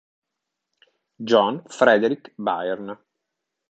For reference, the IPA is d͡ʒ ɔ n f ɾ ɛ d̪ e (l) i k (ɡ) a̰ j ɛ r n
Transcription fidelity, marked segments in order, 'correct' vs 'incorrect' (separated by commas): incorrect, incorrect